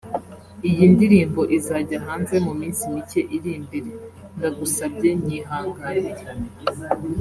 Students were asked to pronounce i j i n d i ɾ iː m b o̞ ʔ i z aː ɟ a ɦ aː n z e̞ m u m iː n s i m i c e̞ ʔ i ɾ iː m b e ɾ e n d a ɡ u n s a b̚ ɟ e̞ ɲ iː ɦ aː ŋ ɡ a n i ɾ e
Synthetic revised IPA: i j i n d i ɾ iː m b o̞ ʔ i z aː ɟ a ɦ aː n z e̞ m u m iː n s i m i c e̞ ʔ i ɾ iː m b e ɾ e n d a ɡ u s a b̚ ɟ e̞ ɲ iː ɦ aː ŋ ɡ a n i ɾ e

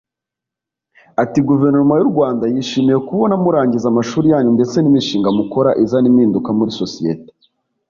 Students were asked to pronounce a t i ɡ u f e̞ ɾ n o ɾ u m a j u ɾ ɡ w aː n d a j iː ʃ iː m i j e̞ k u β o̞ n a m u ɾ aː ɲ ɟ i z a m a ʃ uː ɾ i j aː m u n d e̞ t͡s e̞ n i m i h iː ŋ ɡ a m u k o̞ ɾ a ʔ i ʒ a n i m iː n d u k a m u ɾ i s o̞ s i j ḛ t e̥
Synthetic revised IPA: a t i ɡ u v e̞ ɾ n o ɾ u m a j u ɾ ɡ w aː n d a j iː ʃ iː m i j e̞ k u β o̞ n a m u ɾ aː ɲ ɟ i z a m a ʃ uː ɾ i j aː ɲ u n d e̞ t͡s e̞ n i m i ʃ iː ŋ ɡ a m u k o̞ ɾ a ʔ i z a n i m iː n d u k a m u ɾ i s o̞ s i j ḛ t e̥

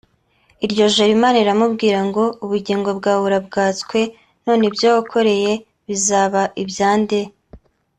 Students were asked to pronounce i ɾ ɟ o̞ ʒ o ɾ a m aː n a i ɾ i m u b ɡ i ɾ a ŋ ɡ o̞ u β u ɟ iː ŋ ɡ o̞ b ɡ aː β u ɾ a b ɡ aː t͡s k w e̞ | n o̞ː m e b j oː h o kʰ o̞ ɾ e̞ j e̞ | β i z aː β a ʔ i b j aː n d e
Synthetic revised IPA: i ɾ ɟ o̞ ʒ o ɾ i m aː n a i ɾ a m u b ɡ iː ɾ a ŋ ɡ o̞ u β u ɟ iː ŋ ɡ o̞ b ɡ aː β u ɾ a b ɡ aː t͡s k w e̞ | n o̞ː n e b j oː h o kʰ o̞ ɾ e̞ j e̞ | β i z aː β a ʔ i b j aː n d e

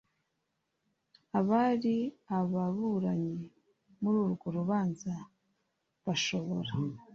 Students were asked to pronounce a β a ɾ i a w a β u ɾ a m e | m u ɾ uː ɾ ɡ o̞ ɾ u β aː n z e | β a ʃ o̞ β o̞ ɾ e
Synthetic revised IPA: a β a ɾ i a β a β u ɾ a ɲ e | m u ɾ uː ɾ ɡ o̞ ɾ u β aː n z a | β a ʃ o̞ β o̞ ɾ a

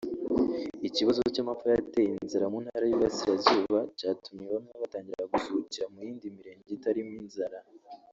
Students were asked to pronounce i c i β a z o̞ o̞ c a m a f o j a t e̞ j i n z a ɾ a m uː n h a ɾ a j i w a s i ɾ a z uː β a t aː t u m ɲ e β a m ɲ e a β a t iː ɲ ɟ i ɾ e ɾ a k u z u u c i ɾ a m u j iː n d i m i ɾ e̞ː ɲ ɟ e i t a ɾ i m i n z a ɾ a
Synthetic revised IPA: i c i β a z o̞ o̞ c a m a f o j a t e̞ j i n z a ɾ a m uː n h a ɾ a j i β a s i ɾ a z uː β a c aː t u m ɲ e β a m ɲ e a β a t aː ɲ ɟ i ɾ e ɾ a ɡ u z u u c i ɾ a m u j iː n d i m i ɾ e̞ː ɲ ɟ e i t a ɾ i m i n z a ɾ a

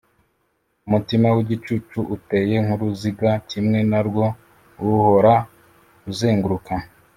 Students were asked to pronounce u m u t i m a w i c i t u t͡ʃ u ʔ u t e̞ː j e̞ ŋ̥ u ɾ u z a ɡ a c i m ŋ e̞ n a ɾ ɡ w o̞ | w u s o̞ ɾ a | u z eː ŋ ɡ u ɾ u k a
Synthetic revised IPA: u m u t i m a w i ɟ i t͡ʃ u t͡ʃ u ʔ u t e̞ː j e̞ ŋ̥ u ɾ u z i ɡ a c i m ŋ e̞ n a ɾ ɡ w o̞ | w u h o̞ ɾ a | u z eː ŋ ɡ u ɾ u k a

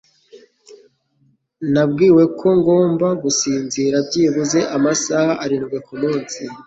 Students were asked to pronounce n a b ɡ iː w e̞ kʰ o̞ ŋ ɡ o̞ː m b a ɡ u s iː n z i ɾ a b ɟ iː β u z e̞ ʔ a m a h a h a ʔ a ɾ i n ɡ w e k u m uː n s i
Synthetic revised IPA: n a b ɡ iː w e̞ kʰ o̞ ŋ ɡ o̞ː m b a ɡ u s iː n z i ɾ a b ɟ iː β u z e̞ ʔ a m a s a h a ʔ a ɾ i n ɡ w e k u m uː n s i

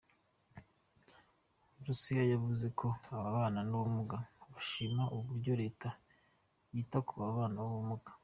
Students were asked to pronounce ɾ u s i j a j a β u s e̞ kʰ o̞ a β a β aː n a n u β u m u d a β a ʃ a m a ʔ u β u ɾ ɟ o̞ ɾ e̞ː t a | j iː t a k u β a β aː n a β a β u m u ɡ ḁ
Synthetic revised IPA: ɾ u s i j a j a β u z e̞ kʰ o̞ a β a β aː n a n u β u m u ɡ a β a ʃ i m a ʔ u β u ɾ ɟ o̞ ɾ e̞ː t a | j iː t a k u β a β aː n a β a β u m u ɡ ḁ

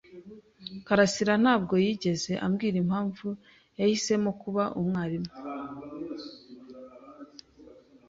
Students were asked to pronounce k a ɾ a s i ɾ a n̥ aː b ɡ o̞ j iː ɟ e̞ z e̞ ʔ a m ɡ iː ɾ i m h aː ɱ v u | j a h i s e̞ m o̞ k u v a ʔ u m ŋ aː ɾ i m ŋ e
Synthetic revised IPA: k a ɾ a s i ɾ a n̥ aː b ɡ o̞ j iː ɟ e̞ z e̞ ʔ a m ɡ iː ɾ i m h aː ɱ v u | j a h i s e̞ m o̞ k u β a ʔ u m ŋ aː ɾ i m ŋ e

